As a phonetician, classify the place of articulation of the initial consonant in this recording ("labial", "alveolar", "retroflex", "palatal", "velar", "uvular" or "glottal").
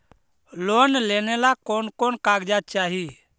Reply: alveolar